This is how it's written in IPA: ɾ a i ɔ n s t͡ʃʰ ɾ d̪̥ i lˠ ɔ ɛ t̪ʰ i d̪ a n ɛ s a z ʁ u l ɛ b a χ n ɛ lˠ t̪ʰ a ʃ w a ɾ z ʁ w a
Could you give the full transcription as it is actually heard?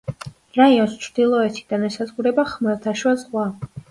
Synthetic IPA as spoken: ɾ a i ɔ n s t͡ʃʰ ɾ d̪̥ i lˠ ɔ ɛ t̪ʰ i d̪ a n ɛ s a z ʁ u ɾ ɛ b a χ m ɛ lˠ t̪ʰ a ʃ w a z ʁ w a